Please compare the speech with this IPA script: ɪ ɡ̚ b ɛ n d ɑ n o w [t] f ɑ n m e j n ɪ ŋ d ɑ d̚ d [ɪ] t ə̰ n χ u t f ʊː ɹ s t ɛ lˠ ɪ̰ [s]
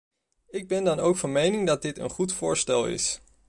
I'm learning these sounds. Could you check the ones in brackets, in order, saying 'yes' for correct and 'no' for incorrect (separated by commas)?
no, yes, yes